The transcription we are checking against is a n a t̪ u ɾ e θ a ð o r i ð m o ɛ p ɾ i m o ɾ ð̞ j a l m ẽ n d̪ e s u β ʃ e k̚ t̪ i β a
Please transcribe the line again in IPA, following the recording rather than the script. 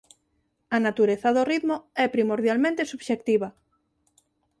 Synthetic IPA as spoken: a n a t̪ u ɾ e θ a ð o r i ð m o ɛ p ɾ i m o ɾ ð̞ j a l m ẽ n t̪ e s u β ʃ e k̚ t̪ i β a